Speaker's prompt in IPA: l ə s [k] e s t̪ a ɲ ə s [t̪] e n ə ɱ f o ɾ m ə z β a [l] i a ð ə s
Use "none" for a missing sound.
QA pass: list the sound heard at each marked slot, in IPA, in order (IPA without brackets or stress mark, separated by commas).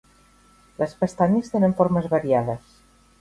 p, t̪, ɾ